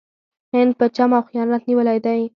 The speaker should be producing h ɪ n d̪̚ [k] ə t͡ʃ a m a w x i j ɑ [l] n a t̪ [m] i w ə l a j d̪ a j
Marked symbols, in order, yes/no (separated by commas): no, no, no